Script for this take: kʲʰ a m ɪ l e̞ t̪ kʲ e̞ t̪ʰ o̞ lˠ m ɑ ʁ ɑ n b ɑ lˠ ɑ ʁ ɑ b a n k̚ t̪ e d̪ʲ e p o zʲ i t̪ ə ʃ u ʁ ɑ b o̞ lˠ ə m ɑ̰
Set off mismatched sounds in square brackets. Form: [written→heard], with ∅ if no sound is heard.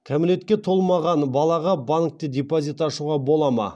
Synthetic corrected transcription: kʲʰ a m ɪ l e̞ t̪ kʲ e̞ t̪ʰ o̞ lˠ m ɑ ʁ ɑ n b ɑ lˠ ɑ ʁ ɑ b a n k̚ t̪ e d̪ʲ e p o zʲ i t̪ [ə→ɑ] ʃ u ʁ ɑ b o̞ lˠ [ə→ɑ] m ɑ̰

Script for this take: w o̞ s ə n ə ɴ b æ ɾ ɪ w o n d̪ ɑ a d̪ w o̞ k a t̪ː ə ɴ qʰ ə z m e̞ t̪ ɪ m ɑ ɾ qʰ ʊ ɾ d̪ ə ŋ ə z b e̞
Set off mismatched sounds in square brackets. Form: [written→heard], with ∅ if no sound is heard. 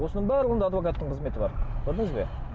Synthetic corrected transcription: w o̞ s ə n ə ɴ b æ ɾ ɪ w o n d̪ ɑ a d̪ [w→v] o̞ k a t̪ː ə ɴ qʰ ə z m e̞ t̪ ɪ [m→b] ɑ ɾ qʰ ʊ ɾ d̪ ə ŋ ə z b e̞

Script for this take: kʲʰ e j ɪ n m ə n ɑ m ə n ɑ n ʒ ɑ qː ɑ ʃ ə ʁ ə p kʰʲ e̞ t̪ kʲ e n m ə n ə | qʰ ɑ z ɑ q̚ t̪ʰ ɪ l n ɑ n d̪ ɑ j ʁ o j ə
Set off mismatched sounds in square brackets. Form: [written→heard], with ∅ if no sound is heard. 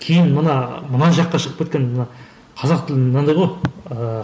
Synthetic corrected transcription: kʲʰ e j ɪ n m ə n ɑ m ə n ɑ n ʒ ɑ qː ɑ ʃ ə ʁ ə p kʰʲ e̞ t̪ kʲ e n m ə n [ə→ɑ] | qʰ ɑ z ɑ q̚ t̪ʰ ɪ l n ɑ n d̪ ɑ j ʁ o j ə

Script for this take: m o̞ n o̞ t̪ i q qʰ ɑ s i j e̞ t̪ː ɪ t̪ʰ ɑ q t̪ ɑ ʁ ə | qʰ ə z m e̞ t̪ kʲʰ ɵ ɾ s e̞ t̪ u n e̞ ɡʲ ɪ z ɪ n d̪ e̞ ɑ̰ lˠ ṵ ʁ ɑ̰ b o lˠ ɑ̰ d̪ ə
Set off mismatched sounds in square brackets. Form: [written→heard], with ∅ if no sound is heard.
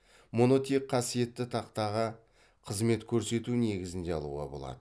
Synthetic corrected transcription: m o̞ n o̞ t̪ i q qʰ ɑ s i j e̞ t̪ː ɪ t̪ʰ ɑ q t̪ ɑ ʁ ə | qʰ ə z m e̞ t̪ kʲʰ ɵ ɾ s e̞ t̪ u n e̞ ɡʲ ɪ z ɪ n d̪ e̞ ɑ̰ lˠ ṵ ʁ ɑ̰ b o lˠ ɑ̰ d̪ ə

